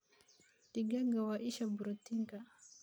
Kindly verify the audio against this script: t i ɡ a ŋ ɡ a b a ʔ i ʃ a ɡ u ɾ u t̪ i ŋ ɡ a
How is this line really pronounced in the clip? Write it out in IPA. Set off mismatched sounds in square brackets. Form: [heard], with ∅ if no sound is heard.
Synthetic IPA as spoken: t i ɡ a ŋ ɡ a [w] a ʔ i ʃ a [b] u ɾ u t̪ i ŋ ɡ a